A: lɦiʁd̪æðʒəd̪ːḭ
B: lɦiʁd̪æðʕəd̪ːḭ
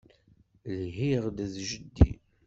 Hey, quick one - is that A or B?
A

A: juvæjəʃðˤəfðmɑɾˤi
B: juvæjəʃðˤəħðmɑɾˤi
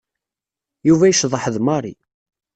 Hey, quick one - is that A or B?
B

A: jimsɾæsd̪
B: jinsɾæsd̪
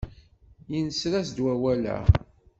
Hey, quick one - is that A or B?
B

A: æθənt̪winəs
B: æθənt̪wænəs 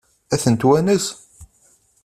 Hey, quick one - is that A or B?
B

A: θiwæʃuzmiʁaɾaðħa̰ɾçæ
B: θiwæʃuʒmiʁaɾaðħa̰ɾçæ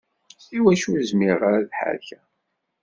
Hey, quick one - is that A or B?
A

